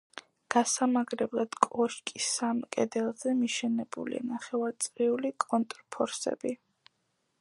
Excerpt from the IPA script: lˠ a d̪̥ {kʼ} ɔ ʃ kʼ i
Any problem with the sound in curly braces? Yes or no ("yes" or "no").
no